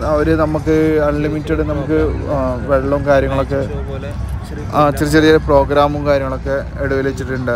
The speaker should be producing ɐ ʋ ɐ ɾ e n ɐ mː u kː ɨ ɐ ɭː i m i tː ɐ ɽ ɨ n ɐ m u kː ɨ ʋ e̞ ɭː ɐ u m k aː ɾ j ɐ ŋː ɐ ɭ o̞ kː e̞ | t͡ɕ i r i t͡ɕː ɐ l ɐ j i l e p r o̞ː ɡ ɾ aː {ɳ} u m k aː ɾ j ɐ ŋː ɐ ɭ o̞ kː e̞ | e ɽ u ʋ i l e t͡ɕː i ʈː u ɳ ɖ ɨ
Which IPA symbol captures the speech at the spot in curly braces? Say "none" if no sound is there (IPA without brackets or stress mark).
m